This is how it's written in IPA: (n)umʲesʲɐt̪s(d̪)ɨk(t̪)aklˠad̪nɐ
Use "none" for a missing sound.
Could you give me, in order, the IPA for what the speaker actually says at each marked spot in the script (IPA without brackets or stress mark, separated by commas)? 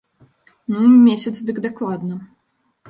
n, d̪, d̪